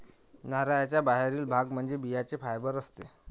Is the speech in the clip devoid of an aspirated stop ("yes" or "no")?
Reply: yes